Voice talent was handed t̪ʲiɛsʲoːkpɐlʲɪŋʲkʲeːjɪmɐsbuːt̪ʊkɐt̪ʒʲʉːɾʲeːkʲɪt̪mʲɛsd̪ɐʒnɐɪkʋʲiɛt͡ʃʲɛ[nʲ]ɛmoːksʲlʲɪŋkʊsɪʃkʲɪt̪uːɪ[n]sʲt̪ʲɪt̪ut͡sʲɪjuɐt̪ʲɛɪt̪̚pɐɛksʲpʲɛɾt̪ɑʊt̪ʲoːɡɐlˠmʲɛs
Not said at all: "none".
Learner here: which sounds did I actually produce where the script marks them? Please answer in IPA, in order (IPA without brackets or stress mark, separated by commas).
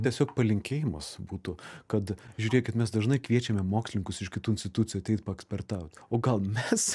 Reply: mʲ, n